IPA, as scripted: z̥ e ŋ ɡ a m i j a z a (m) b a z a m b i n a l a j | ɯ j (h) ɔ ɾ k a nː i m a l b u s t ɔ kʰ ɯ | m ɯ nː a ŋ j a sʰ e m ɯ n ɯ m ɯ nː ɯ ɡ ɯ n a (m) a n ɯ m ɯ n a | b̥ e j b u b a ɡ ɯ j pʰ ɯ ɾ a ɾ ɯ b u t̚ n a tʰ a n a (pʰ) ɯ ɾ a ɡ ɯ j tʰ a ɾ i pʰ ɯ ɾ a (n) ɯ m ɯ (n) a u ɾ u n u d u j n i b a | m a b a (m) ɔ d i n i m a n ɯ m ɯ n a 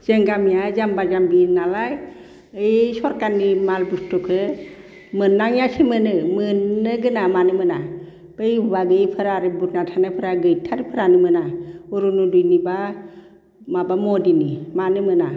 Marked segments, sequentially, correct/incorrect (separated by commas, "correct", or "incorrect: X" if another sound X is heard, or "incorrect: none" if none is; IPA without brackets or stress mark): correct, incorrect: s, correct, correct, correct, correct, correct